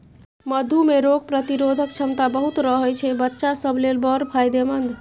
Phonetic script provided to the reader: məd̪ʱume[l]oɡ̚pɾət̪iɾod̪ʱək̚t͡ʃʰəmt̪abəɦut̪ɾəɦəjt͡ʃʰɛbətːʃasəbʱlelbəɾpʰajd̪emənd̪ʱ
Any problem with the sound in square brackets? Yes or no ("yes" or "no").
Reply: yes